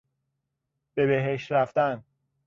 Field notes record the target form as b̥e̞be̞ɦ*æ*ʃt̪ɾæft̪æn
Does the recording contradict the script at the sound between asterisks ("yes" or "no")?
yes